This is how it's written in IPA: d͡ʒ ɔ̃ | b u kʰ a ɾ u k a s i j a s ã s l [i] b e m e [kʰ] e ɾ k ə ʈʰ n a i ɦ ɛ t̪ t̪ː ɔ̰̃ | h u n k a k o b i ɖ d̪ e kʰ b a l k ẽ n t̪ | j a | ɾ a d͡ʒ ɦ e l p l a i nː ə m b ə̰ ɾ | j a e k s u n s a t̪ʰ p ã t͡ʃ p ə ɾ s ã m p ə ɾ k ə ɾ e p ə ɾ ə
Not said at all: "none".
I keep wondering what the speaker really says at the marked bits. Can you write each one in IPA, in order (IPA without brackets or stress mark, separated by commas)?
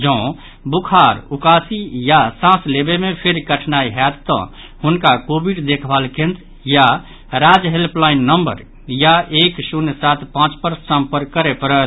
e, pʰ